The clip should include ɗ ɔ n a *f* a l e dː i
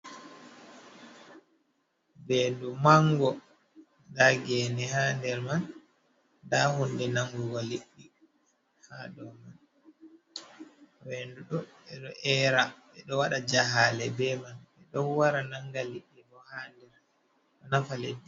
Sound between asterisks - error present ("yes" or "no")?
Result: no